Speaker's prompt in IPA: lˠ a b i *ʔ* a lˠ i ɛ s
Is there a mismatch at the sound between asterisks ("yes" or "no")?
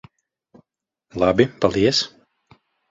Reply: yes